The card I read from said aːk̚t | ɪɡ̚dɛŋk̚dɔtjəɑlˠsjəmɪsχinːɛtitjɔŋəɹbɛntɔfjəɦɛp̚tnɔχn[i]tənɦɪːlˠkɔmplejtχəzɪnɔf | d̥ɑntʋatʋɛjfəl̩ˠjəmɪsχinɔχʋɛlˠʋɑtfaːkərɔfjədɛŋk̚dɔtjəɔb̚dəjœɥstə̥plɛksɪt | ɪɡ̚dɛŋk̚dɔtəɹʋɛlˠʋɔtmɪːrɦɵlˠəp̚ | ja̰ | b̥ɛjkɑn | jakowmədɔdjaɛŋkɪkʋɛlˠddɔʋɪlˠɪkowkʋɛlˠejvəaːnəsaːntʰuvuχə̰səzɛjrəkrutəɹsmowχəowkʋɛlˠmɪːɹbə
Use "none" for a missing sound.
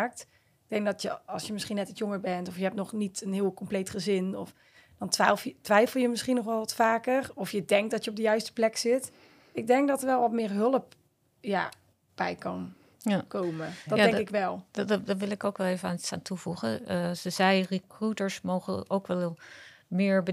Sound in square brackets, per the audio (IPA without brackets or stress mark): i